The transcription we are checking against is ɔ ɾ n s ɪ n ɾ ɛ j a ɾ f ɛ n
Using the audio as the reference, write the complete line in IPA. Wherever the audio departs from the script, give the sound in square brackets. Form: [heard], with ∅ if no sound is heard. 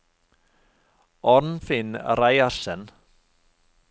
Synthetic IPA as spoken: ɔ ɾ n [f] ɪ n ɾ [a] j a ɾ [s] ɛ n